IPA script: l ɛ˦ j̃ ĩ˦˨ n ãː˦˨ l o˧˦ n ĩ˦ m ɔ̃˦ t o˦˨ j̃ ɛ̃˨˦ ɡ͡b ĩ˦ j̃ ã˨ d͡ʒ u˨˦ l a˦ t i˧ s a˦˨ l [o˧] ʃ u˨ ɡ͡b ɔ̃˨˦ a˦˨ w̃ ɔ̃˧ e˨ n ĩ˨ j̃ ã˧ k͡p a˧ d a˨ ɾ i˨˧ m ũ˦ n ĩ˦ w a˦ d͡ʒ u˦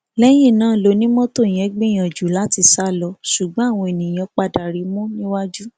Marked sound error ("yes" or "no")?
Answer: yes